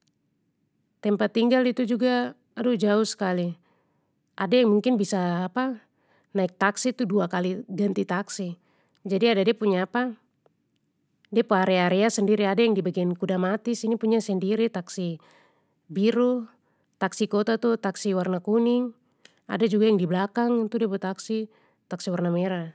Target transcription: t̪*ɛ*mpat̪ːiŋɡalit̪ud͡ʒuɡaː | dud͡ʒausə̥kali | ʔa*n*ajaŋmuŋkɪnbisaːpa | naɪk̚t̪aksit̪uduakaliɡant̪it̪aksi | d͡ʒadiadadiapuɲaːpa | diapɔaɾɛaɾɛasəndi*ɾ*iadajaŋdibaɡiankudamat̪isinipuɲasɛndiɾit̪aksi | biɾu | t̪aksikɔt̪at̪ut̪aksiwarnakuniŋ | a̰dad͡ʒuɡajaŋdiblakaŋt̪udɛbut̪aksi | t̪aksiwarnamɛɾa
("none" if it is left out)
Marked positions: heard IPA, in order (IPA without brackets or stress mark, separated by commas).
ɛ, d, ɾ